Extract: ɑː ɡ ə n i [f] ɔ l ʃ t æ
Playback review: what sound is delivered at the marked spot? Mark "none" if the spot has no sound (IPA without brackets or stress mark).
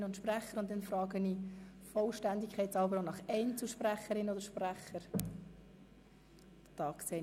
f